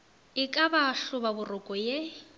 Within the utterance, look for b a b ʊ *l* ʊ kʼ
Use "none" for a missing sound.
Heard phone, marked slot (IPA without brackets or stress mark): r